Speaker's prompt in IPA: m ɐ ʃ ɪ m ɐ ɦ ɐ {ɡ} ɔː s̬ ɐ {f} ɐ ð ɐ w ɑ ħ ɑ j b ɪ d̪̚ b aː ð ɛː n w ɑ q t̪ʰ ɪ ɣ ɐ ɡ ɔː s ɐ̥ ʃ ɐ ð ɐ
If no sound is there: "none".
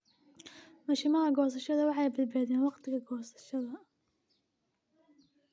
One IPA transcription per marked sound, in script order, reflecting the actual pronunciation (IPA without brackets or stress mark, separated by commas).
ɡ, ʃ